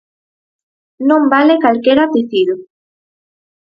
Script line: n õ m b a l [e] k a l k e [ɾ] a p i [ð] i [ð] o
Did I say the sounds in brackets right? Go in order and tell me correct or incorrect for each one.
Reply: correct, correct, incorrect: θ, correct

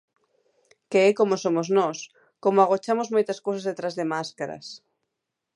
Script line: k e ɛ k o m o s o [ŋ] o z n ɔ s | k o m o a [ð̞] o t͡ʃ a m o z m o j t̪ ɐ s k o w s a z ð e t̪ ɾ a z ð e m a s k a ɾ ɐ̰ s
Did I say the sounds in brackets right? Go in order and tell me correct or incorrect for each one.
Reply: incorrect: m, incorrect: ɣ̞

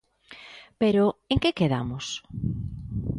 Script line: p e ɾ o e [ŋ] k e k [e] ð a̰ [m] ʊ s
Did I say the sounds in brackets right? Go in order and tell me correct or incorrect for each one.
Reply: correct, correct, correct

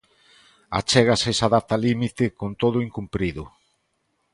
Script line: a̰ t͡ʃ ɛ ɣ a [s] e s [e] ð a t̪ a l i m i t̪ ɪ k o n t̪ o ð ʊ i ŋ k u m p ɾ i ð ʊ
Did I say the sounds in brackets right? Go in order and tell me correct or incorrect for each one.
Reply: correct, incorrect: a

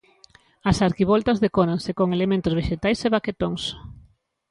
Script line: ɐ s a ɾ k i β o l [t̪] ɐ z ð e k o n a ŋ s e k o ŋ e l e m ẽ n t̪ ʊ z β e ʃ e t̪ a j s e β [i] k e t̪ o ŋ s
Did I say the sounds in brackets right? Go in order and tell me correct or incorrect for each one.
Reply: correct, incorrect: a

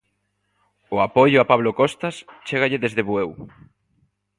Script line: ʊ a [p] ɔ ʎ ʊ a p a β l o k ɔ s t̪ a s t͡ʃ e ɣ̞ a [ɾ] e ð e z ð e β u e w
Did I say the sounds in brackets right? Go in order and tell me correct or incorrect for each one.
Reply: correct, incorrect: ʎ

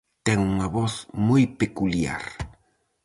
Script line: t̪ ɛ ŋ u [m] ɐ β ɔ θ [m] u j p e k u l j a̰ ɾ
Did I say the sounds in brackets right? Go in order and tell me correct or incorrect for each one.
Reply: incorrect: ŋ, correct

